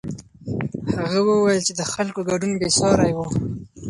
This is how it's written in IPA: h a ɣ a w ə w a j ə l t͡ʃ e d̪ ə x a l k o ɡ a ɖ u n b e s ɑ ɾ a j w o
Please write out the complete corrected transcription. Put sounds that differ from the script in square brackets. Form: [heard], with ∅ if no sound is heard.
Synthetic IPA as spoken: h a ɣ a w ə w a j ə l t͡ʃ e d̪ ə x a l k o ɡ a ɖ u n b e s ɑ ɾ a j w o